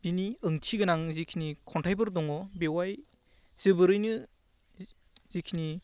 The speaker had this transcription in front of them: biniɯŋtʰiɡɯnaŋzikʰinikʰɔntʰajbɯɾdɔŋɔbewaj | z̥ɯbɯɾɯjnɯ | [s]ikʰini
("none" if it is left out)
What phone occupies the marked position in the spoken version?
z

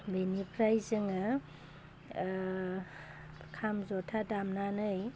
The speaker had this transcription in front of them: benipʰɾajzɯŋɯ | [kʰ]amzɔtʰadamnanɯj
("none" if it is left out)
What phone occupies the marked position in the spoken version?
kʰ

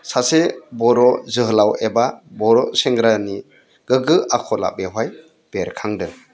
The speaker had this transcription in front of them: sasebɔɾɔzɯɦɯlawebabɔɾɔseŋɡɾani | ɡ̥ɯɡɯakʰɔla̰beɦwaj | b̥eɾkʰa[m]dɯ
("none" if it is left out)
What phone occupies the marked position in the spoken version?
ŋ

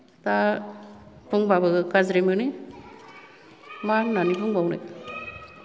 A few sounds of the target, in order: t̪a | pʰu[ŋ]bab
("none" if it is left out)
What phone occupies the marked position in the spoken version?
ŋ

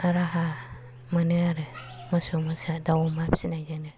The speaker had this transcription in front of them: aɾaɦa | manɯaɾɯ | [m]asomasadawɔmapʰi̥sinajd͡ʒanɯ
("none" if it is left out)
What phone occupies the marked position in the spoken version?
m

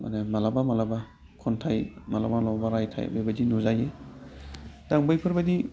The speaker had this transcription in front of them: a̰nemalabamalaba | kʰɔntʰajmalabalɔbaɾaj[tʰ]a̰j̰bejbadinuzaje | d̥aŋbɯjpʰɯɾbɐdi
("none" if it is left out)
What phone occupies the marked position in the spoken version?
tʰ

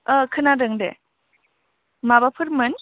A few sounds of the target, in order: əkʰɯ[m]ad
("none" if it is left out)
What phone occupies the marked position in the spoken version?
n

